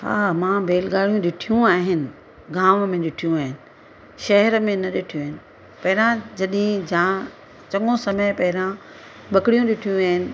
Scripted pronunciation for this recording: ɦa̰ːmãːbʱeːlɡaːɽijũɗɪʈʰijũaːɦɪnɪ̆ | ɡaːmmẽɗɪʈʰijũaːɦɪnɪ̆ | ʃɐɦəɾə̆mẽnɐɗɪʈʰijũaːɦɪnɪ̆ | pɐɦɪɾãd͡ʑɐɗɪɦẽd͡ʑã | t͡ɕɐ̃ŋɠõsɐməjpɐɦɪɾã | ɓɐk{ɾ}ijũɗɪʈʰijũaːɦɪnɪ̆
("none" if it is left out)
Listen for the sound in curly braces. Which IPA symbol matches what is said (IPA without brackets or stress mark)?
ɽ